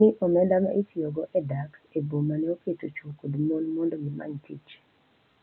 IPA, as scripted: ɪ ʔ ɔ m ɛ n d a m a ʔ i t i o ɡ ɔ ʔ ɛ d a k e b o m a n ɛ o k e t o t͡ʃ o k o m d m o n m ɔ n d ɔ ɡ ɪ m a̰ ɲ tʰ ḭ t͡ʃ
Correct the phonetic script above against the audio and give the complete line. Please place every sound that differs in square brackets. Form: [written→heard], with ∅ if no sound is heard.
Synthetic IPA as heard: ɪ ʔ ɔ m ɛ n d a m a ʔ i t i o ɡ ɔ ʔ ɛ d a k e b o m a n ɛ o k e t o t͡ʃ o k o [m→∅] d m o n m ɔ n d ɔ ɡ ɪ m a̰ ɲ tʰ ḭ t͡ʃ